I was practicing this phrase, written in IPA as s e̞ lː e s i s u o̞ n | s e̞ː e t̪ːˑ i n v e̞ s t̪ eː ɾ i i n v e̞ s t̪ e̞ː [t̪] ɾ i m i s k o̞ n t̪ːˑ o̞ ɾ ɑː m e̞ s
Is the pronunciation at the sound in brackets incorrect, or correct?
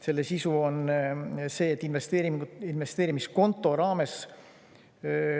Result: incorrect